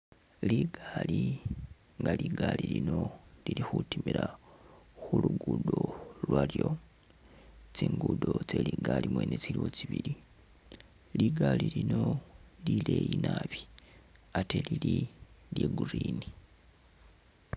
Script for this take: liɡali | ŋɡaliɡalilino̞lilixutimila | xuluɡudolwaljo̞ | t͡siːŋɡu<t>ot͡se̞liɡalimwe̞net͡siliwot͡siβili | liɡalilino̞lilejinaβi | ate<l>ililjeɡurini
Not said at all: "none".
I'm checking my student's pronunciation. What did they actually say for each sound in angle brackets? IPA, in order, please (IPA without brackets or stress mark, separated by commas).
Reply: d, l